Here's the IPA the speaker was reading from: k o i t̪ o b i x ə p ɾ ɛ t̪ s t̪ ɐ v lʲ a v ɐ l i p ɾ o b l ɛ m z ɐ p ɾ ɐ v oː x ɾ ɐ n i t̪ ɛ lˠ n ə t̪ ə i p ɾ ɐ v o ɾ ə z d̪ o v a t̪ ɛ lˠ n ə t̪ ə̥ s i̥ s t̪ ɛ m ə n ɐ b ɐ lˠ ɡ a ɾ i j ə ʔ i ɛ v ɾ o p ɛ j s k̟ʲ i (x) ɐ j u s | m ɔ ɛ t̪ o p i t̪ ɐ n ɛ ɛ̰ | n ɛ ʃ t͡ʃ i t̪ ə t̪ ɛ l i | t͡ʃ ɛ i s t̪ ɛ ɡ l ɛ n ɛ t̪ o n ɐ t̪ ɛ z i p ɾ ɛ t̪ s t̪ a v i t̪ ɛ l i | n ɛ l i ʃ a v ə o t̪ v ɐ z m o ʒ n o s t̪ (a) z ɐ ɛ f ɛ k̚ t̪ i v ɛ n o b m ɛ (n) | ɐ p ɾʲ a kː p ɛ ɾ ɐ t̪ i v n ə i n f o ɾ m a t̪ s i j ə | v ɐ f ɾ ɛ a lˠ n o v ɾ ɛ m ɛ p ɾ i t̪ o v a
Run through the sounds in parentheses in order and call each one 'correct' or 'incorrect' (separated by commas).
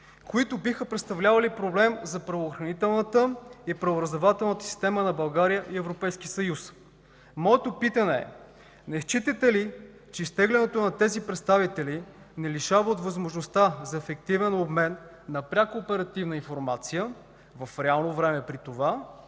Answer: incorrect, correct, incorrect